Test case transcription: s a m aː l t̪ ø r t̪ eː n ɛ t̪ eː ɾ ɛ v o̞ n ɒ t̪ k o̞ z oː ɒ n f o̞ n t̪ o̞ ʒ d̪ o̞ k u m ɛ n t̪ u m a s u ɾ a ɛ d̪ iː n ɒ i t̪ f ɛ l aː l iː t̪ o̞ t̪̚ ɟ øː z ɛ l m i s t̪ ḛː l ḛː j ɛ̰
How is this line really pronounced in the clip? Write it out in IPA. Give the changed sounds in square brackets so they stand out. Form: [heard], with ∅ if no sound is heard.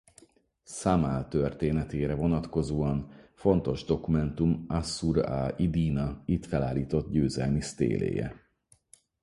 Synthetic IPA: s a m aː l t̪ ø r t̪ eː n ɛ t̪ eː ɾ ɛ v o̞ n ɒ t̪ k o̞ z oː ɒ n f o̞ n t̪ o̞ ʒ d̪ o̞ k u m ɛ n t̪ u m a s u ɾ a [i] d̪ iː n ɒ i t̪ f ɛ l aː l iː t̪ o̞ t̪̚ ɟ øː z ɛ l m i s t̪ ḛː l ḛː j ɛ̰